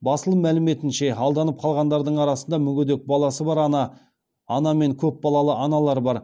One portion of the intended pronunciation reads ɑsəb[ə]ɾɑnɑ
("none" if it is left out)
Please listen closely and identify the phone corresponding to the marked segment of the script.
ɑ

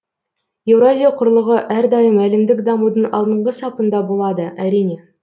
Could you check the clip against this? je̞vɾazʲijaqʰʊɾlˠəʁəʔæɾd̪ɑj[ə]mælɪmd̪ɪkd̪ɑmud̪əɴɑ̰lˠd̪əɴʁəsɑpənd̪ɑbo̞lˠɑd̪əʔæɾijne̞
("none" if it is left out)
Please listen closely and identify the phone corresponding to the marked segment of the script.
ə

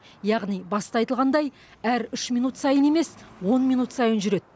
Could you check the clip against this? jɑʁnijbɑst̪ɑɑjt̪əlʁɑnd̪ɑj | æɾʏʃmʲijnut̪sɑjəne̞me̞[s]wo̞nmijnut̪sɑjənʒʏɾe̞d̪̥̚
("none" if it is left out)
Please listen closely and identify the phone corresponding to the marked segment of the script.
s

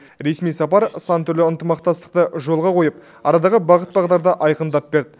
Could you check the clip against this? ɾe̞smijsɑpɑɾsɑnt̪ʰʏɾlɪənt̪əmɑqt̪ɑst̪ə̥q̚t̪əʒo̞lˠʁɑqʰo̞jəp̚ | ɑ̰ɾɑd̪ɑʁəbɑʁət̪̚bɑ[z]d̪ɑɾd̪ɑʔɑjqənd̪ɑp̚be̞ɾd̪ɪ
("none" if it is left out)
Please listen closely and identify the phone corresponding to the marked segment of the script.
ʁ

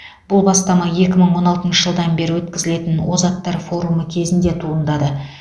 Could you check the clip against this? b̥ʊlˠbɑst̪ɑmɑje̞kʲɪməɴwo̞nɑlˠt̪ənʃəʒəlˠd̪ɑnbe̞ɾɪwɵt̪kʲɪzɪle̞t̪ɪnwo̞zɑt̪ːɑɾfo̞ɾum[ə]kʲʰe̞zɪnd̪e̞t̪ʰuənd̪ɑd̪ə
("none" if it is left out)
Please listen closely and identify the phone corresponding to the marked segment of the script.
ə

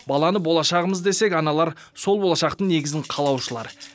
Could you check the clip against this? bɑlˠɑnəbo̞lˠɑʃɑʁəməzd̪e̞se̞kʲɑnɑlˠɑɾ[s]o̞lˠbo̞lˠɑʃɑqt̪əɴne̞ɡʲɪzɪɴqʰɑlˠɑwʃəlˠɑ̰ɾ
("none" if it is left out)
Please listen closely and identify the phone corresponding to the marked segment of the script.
s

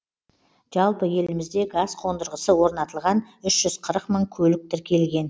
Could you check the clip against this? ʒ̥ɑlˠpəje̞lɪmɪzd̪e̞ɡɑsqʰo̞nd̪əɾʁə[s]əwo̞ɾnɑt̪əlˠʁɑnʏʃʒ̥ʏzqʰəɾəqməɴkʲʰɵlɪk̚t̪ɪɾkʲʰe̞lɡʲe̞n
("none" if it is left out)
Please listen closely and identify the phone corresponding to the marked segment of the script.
s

